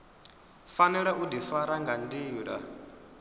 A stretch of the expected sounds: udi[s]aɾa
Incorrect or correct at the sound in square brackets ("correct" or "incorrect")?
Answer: incorrect